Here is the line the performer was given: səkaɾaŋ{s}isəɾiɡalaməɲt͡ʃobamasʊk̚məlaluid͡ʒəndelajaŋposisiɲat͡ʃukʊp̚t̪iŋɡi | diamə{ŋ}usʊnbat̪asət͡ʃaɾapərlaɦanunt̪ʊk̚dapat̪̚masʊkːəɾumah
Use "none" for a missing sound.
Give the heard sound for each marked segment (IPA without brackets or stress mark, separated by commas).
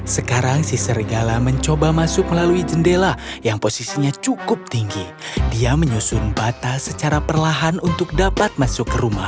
s, ɲ